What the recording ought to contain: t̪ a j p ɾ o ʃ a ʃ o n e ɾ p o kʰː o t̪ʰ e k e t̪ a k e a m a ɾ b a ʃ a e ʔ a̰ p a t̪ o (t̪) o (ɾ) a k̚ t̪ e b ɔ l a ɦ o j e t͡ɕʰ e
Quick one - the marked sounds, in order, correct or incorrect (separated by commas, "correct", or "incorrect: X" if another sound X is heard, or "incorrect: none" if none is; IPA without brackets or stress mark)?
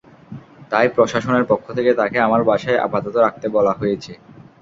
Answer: correct, correct